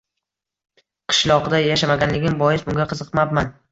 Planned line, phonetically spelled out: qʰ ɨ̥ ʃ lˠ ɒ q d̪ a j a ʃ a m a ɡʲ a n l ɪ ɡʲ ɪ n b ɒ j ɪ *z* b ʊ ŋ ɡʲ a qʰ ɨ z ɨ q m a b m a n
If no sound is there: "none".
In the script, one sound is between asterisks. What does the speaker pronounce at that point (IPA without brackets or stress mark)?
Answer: s